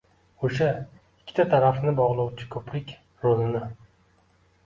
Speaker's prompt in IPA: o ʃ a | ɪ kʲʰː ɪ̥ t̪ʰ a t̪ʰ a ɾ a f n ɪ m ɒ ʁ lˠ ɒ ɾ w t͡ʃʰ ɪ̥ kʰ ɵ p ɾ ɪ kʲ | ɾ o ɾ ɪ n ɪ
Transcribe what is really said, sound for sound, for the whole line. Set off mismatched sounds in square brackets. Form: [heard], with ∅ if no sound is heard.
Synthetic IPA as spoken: o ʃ a | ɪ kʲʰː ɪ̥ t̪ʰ a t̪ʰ a ɾ a f n ɪ [b] ɒ ʁ lˠ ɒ [∅] w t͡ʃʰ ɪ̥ kʰ ɵ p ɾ ɪ kʲ | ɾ o [l] ɪ n ɪ